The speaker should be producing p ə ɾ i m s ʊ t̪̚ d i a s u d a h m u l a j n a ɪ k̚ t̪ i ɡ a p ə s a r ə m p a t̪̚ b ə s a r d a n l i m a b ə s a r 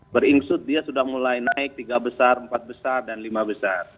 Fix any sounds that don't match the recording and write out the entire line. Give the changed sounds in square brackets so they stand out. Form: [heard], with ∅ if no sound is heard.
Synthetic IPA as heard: [b] ə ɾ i [ŋ] s ʊ t̪̚ d i a s u d a h m u l a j n a ɪ k̚ t̪ i ɡ a [b] ə s a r ə m p a t̪̚ b ə s a r d a n l i m a b ə s a r